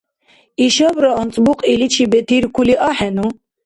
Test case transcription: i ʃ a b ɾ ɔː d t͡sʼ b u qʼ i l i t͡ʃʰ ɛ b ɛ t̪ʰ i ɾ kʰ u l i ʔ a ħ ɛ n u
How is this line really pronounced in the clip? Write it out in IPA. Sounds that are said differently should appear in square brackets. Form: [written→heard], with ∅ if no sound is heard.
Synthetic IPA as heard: i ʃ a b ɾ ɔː [d→n] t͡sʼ b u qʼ i l i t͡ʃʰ [ɛ→i] b ɛ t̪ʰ i ɾ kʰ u l i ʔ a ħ ɛ n u